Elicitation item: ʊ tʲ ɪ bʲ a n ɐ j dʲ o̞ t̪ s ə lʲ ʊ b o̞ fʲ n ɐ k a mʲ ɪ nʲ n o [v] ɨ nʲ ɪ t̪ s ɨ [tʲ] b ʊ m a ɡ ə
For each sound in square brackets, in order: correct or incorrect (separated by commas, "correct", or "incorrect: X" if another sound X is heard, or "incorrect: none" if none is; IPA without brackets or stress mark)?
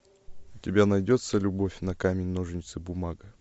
incorrect: ʐ, incorrect: none